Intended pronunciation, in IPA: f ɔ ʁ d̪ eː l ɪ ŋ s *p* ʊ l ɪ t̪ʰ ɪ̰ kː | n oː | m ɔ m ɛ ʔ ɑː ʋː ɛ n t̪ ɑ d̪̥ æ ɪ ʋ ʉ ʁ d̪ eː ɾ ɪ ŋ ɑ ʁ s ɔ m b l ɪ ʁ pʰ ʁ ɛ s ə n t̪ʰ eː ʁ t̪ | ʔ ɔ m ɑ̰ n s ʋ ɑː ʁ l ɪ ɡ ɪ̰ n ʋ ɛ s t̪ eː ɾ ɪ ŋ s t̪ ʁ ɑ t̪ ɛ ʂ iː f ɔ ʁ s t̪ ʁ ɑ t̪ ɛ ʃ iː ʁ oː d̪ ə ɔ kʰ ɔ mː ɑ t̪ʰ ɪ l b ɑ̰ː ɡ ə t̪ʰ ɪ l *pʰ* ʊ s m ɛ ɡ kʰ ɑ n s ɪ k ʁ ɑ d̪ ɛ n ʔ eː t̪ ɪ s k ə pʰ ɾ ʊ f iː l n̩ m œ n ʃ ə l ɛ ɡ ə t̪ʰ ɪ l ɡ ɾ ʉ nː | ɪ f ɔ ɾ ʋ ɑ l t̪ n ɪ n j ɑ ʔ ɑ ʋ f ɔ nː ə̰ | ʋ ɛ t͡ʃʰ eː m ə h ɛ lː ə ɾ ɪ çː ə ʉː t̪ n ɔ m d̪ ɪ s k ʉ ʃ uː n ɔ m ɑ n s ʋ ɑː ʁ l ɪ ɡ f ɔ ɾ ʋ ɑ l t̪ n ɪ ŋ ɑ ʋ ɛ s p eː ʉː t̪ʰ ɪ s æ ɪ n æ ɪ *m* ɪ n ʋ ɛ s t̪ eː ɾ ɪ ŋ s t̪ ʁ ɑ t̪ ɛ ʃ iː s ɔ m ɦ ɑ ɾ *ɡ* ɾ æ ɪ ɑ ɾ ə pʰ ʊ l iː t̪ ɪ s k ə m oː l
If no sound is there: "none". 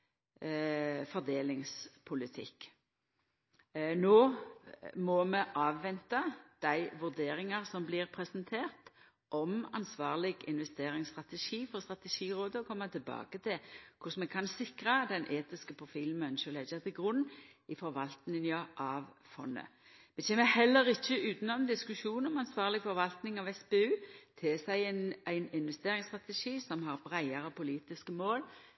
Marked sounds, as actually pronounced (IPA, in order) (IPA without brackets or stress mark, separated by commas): pʰ, kʰ, n, b